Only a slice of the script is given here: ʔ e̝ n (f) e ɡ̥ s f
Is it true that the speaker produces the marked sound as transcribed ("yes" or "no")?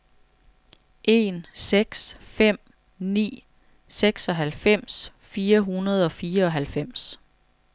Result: no